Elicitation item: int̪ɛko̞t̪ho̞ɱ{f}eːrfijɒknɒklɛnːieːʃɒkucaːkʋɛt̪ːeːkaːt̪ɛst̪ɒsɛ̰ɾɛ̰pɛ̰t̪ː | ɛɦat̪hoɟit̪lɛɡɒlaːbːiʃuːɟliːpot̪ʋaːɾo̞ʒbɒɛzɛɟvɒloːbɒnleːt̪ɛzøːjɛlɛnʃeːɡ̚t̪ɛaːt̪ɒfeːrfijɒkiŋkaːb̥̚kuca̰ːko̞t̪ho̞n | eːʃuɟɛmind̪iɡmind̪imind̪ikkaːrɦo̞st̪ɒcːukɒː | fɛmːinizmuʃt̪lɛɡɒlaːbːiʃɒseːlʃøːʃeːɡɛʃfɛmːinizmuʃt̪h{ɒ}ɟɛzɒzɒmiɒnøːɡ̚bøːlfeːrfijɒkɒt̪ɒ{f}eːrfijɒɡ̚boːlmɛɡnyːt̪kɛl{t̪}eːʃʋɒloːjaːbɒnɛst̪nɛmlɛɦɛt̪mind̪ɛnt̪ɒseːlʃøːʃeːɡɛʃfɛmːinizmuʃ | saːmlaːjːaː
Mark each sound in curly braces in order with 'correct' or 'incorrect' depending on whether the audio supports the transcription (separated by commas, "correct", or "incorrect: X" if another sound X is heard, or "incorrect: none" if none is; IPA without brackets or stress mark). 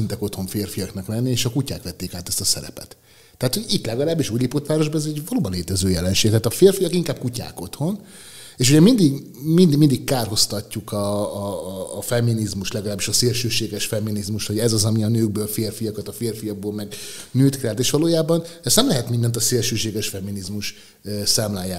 correct, incorrect: o, correct, correct